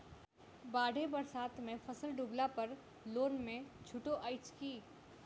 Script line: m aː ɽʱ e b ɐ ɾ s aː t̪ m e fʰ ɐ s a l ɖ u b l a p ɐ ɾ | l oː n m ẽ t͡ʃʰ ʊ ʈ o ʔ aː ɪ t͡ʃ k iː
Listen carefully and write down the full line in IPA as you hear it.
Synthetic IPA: b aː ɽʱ e b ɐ ɾ s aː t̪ m ẽ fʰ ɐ s ə l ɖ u b l a p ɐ ɾ | l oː n m ẽ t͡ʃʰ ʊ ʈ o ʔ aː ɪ t͡ʃ k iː